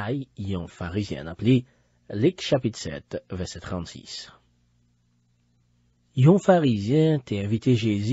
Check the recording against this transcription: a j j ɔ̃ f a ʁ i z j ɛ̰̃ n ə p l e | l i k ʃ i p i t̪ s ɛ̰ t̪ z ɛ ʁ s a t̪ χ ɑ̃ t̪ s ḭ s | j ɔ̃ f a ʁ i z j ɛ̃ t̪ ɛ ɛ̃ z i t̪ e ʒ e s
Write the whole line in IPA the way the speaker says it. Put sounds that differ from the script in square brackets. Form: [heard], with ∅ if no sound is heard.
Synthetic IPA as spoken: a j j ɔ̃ f a ʁ i z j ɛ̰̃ n [a] p l e | l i k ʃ [a] p i t̪ s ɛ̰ t̪ [v] ɛ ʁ s [ɛ] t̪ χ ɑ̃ t̪ s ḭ s | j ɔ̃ f a ʁ i z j ɛ̃ t̪ ɛ ɛ̃ [v] i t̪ e ʒ e [z]